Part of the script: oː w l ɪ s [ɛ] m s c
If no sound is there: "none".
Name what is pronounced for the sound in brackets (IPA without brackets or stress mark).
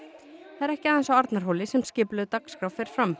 ɛ